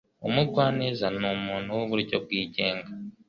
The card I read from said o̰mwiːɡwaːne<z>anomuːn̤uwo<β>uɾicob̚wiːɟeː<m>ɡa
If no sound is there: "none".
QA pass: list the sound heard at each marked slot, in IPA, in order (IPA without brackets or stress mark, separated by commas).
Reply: z, β, ŋ